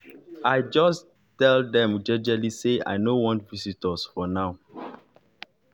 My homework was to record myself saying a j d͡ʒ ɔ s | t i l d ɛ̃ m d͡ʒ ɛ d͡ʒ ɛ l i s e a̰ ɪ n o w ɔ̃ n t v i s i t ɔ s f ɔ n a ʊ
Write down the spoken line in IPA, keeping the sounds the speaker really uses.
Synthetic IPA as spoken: a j d͡ʒ ɔ s | t ɛ l d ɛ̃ m d͡ʒ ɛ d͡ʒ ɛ l i s e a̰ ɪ n o w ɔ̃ n t v i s i t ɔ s f ɔ n a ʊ